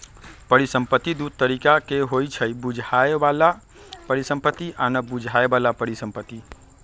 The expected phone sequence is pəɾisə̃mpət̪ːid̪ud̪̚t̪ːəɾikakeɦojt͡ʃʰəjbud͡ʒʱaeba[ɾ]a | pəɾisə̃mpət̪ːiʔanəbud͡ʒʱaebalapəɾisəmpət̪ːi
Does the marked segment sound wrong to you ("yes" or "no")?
yes